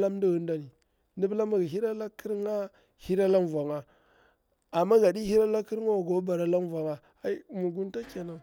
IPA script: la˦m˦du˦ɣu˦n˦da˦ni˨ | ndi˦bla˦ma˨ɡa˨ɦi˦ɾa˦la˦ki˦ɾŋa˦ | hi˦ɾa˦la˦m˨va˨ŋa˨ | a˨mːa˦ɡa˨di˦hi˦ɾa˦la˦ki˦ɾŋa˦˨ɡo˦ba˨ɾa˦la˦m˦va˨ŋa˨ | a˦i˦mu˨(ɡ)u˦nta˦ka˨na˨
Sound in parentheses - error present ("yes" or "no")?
no